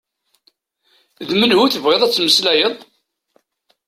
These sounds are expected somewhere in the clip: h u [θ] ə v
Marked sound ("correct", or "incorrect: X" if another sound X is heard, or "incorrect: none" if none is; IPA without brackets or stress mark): correct